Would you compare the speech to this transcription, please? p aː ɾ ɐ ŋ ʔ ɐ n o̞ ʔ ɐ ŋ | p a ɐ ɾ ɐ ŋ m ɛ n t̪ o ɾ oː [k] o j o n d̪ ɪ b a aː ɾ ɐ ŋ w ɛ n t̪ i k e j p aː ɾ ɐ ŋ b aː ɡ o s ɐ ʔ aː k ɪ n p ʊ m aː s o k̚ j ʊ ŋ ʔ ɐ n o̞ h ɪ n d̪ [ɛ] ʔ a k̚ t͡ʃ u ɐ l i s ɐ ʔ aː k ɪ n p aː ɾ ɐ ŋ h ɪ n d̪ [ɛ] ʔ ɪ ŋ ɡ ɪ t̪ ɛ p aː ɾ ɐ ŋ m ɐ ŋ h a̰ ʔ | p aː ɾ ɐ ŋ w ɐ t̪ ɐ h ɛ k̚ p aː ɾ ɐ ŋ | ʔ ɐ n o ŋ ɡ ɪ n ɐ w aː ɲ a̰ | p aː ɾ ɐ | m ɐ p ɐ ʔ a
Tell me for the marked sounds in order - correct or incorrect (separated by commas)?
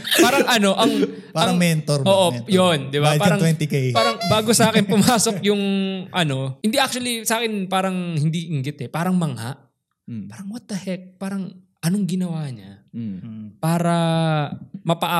incorrect, incorrect, incorrect